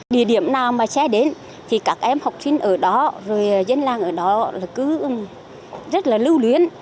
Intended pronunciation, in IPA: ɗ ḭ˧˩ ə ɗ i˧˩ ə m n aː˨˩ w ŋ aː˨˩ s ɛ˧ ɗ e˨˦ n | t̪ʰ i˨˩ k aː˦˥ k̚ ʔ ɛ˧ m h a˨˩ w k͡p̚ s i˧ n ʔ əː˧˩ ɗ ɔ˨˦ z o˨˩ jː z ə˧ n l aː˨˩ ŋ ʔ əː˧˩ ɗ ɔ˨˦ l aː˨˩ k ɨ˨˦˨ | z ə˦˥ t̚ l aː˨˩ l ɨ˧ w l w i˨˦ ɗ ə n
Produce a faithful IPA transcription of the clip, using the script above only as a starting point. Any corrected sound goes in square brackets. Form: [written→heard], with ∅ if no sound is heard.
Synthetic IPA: ɗ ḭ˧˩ ə ɗ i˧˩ ə m n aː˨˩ w [ŋ→m] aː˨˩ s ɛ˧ ɗ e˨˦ n | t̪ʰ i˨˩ k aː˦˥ k̚ ʔ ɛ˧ m h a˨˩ w k͡p̚ s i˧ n ʔ əː˧˩ ɗ ɔ˨˦ z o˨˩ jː z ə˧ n l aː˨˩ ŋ ʔ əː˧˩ ɗ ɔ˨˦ l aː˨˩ k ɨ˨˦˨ | z ə˦˥ t̚ l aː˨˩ l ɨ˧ w l w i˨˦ [ɗ→∅] ə n

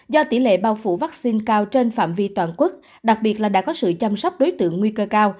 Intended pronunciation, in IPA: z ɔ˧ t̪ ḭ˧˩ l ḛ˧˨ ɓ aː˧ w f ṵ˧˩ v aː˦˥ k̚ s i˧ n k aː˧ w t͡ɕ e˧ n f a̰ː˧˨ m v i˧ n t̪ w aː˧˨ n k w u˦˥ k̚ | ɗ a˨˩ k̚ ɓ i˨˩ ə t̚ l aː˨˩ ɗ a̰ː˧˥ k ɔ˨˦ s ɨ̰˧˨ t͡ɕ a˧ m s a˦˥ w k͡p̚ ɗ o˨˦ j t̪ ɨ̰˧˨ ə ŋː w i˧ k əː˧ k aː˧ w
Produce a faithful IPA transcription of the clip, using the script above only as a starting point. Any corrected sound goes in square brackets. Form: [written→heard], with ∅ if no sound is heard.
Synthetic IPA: z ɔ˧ t̪ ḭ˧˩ l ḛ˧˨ ɓ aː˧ w f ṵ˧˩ v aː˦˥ k̚ s i˧ n k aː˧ w t͡ɕ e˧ n f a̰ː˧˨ m v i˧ [n→∅] t̪ w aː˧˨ n k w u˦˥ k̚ | ɗ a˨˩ k̚ ɓ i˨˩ ə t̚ l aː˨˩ ɗ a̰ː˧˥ k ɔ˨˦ s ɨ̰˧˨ t͡ɕ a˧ m s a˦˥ w k͡p̚ ɗ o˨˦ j t̪ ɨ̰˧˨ ə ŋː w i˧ k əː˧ k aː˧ w

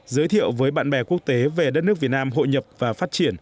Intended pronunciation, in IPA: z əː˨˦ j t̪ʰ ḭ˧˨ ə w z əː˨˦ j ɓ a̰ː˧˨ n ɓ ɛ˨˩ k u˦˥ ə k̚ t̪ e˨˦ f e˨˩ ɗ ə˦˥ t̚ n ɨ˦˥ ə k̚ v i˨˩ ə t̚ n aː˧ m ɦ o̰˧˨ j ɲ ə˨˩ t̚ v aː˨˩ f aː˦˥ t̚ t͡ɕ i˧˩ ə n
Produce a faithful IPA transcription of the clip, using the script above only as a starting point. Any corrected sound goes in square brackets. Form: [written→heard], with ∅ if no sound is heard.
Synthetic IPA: z əː˨˦ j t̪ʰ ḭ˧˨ ə w [z→v] əː˨˦ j ɓ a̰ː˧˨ n ɓ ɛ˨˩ k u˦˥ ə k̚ t̪ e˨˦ [f→v] e˨˩ ɗ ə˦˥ t̚ n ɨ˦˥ ə k̚ v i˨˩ ə t̚ n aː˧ m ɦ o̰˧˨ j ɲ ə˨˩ [t̚→p̚] v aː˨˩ f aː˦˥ t̚ t͡ɕ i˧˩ ə n

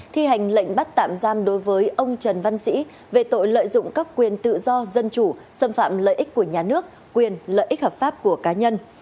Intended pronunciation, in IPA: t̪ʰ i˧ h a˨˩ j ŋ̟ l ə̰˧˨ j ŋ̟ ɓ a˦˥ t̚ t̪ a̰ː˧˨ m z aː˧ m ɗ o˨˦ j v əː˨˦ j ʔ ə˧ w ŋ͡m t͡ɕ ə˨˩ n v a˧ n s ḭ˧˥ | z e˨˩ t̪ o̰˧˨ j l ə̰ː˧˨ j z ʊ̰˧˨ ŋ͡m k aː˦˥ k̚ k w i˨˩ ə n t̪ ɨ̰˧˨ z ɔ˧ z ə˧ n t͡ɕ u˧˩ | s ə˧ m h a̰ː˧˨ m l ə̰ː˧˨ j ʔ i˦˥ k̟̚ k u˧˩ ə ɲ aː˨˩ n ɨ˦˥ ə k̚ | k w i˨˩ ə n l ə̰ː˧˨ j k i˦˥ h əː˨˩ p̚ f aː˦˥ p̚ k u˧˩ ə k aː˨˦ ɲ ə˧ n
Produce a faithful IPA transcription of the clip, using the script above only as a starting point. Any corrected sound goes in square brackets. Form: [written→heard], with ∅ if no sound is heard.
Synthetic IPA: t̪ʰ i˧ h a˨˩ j ŋ̟ l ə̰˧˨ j ŋ̟ ɓ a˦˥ t̚ t̪ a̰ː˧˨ m z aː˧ m ɗ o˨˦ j v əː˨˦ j ʔ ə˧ w ŋ͡m t͡ɕ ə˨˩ n v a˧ n s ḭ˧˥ | [z→v] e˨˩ t̪ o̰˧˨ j l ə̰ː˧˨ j z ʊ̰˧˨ ŋ͡m k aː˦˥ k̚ k w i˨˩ ə n t̪ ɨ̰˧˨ z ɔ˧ z ə˧ n t͡ɕ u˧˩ | s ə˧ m [h→f] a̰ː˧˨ m l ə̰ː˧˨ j ʔ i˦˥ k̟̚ k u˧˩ ə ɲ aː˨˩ n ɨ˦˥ ə k̚ | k w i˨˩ ə n l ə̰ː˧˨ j [k→ʔ] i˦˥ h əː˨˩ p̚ f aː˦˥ p̚ k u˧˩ ə k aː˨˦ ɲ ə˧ n

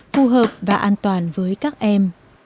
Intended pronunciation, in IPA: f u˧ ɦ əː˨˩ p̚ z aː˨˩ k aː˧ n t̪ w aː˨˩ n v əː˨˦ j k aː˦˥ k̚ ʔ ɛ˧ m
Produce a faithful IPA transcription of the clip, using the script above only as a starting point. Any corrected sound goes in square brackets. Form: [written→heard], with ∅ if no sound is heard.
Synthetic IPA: f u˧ ɦ əː˨˩ p̚ [z→v] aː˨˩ [k→ʔ] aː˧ n t̪ w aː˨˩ n v əː˨˦ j k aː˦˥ k̚ ʔ ɛ˧ m

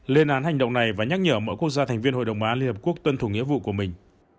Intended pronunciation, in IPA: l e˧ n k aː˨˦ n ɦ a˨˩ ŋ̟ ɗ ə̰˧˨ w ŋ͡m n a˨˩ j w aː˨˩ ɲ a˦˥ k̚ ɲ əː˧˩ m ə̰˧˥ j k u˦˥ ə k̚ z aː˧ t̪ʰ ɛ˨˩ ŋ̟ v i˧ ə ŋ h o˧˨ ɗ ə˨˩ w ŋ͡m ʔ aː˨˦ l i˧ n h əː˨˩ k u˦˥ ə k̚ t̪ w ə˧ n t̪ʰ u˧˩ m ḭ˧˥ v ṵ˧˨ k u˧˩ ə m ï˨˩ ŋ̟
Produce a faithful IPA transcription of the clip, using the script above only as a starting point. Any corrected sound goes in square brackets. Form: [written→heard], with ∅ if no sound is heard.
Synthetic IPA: l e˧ n [k→ʔ] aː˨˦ n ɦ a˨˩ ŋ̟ ɗ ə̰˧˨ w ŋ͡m n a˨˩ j [w→v] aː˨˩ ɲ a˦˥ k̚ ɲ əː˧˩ m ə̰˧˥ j k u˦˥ ə k̚ z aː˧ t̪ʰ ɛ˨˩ ŋ̟ v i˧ ə [ŋ→n] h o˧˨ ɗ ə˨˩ w ŋ͡m ʔ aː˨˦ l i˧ n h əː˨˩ k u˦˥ ə k̚ t̪ w ə˧ n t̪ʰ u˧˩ [m→ŋ] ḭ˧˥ v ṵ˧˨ k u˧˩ ə m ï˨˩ ŋ̟

